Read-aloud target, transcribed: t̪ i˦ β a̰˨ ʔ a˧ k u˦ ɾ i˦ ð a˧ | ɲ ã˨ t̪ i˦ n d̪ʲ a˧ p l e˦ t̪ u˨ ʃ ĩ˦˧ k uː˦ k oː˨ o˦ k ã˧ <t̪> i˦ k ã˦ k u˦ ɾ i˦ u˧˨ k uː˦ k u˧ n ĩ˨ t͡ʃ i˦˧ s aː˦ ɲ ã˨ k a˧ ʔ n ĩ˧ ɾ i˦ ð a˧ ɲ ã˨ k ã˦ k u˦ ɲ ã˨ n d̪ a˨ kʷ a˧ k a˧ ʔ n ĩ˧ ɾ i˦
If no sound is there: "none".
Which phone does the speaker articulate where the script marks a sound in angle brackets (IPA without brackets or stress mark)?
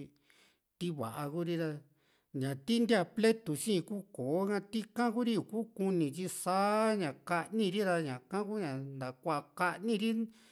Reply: t̪